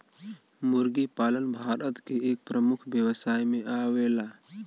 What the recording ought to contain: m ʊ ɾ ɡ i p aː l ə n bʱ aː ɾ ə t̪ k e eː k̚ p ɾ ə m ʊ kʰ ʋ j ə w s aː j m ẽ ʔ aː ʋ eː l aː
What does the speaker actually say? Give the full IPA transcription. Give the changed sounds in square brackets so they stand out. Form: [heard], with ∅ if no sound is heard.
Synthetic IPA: m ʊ ɾ ɡ i p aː l ə n bʱ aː ɾ ə t̪ k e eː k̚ p ɾ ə m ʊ kʰ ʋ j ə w s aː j m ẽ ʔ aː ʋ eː l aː